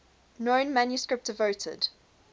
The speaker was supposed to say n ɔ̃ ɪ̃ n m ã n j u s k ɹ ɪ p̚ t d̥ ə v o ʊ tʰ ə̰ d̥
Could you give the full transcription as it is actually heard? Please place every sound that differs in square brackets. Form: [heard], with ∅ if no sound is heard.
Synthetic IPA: n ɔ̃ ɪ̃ n m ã n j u s k ɹ ɪ p̚ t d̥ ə v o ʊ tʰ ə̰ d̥